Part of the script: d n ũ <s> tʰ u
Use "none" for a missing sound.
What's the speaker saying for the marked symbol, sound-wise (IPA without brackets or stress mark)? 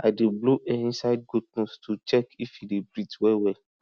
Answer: s